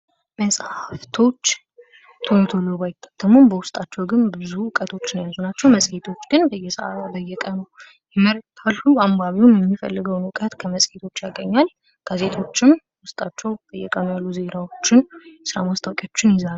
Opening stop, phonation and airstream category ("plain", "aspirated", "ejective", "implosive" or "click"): aspirated